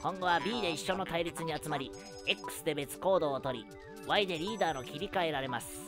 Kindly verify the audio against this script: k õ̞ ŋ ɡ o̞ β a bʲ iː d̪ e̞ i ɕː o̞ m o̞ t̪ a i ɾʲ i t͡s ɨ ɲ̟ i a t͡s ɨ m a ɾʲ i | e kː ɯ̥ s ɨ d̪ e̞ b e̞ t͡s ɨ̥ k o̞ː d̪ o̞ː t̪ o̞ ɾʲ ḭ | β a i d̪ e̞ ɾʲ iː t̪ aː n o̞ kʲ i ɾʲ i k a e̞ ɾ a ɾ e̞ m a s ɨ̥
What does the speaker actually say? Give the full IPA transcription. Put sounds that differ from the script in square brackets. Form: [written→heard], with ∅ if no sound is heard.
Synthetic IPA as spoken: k õ̞ ŋ ɡ o̞ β a bʲ iː d̪ e̞ i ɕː o̞ [m→n] o̞ t̪ a i ɾʲ i t͡s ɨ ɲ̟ i a t͡s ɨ m a ɾʲ i | e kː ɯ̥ s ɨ d̪ e̞ b e̞ t͡s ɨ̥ k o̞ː d̪ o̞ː t̪ o̞ ɾʲ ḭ | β a i d̪ e̞ ɾʲ iː [t̪→d̪] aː n o̞ kʲ i ɾʲ i k a e̞ ɾ a ɾ e̞ m a s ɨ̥